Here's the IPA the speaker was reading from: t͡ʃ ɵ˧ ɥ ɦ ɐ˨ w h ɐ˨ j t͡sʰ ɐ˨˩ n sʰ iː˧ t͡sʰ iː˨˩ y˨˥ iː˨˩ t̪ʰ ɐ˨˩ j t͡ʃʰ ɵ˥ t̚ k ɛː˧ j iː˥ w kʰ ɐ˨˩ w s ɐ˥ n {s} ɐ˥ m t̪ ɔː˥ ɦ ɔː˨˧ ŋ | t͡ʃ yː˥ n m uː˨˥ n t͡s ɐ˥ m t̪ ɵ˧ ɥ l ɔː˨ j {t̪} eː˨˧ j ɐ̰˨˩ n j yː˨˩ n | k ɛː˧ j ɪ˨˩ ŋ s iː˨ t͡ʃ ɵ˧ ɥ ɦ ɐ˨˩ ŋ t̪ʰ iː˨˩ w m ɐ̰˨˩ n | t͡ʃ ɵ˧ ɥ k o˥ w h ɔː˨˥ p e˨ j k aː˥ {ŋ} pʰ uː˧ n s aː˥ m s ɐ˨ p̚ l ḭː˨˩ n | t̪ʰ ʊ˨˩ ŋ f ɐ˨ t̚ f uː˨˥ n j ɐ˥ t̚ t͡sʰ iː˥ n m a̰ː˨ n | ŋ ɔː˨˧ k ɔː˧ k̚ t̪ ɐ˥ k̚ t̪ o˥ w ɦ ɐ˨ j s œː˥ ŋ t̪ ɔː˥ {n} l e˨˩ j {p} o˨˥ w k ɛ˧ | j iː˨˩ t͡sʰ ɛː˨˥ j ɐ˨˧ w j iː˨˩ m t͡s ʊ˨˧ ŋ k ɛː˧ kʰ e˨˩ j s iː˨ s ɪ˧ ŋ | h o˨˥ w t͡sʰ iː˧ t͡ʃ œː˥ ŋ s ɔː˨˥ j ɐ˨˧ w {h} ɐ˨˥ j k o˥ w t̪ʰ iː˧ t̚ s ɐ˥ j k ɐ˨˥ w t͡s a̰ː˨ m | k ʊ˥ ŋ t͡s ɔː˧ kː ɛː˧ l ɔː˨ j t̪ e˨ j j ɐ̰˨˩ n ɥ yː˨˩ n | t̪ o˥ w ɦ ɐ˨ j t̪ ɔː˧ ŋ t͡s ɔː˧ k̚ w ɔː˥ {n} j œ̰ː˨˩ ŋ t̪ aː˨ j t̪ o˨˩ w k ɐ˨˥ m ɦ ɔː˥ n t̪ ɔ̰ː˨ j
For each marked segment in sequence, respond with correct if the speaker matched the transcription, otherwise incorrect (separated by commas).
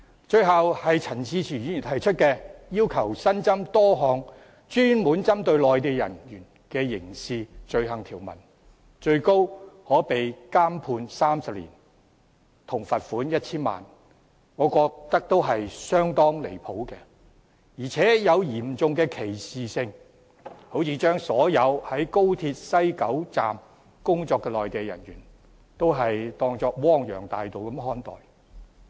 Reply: incorrect, correct, incorrect, incorrect, incorrect, correct, incorrect